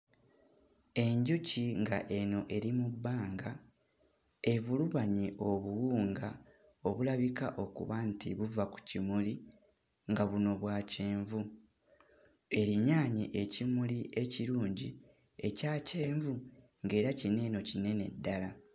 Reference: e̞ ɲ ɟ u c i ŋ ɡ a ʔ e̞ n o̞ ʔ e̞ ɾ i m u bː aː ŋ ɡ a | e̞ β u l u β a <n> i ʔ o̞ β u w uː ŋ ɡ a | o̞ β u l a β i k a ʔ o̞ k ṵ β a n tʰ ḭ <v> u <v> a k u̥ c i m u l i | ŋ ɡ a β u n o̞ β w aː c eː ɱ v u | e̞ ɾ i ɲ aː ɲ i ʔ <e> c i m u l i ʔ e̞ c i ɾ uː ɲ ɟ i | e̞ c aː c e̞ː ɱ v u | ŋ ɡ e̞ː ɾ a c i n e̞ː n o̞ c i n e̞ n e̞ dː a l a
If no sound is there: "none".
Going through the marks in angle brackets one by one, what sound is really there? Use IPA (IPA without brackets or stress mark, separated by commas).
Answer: ɲ, β, v, e